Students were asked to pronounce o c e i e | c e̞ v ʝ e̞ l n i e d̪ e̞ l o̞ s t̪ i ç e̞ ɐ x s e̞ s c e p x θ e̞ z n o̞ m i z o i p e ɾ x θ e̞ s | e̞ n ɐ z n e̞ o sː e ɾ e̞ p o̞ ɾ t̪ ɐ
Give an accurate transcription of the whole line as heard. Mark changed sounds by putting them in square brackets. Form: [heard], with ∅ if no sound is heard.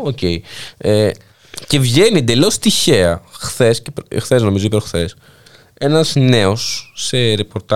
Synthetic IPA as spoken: o c e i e | c e̞ v ʝ e̞ [∅] n i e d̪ e̞ l o̞ s t̪ i ç e̞ ɐ x [θ] e̞ s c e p x θ e̞ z n o̞ m i z o i p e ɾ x θ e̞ s | e̞ n ɐ z n e̞ o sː e ɾ e̞ p o̞ ɾ t̪ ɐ